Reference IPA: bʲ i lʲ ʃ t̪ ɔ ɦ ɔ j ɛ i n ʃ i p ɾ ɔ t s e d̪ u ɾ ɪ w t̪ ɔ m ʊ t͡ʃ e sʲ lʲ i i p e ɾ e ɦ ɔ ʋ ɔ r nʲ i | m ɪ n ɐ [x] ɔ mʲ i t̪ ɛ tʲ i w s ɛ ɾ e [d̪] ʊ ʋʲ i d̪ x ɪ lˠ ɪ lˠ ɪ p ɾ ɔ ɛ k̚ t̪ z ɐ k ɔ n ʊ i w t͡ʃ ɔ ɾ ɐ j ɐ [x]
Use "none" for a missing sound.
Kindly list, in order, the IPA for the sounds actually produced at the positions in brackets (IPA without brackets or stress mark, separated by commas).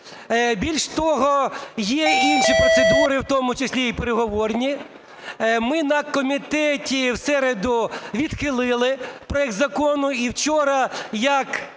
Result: k, d̪, k